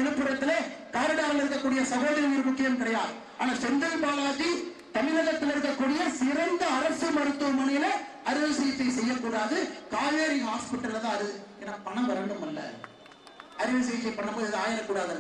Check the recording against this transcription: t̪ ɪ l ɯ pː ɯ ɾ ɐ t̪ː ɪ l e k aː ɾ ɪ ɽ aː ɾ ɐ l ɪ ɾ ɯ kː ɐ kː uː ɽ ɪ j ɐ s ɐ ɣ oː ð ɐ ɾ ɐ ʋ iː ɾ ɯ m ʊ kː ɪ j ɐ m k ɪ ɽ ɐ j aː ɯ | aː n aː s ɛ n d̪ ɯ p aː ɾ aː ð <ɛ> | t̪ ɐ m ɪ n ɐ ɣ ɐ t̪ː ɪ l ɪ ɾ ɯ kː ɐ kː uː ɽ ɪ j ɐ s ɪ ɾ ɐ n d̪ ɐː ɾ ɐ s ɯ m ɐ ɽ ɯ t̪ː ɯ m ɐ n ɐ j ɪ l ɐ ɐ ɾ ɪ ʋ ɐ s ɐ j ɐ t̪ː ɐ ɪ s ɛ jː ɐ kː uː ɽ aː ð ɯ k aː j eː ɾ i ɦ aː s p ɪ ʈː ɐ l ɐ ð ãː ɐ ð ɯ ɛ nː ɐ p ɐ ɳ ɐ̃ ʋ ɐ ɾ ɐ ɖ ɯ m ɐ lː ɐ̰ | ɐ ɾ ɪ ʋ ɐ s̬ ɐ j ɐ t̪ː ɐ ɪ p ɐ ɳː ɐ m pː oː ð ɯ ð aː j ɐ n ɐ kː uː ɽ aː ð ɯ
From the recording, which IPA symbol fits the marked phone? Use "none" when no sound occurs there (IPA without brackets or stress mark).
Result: i